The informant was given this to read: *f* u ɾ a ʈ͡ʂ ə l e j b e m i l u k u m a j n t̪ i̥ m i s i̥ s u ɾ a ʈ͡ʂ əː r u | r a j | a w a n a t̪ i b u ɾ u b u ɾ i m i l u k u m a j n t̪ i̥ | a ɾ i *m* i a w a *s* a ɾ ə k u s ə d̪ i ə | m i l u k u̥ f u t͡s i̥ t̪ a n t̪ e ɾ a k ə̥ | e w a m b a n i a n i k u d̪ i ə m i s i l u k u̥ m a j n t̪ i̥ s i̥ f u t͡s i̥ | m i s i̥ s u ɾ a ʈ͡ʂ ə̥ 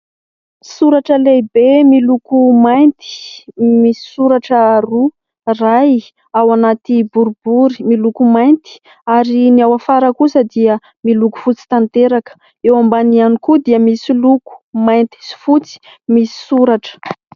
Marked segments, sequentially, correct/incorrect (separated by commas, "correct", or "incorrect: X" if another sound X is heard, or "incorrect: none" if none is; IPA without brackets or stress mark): incorrect: s, incorrect: n, incorrect: f